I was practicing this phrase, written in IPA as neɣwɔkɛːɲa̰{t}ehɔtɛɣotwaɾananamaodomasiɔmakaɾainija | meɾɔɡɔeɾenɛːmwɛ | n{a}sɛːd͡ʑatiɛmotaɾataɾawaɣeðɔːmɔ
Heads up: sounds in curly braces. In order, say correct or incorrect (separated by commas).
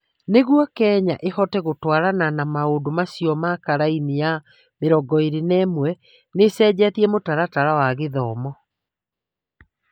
incorrect, incorrect